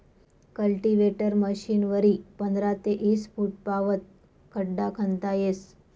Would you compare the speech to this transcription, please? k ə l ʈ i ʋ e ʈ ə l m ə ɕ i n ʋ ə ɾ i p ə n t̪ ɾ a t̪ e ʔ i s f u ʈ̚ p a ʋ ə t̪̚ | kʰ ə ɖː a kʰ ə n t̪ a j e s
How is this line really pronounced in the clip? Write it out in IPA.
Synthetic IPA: k ə l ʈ i ʋ e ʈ ə ɾ m ə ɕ i n ʋ ə ɾ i p ə n d̪ ɾ a t̪ e ʔ i s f u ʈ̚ p a ʋ ə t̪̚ | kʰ ə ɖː a kʰ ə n t̪ a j e s